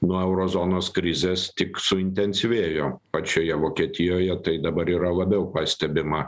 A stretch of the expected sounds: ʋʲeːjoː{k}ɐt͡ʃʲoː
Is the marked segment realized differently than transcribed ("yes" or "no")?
yes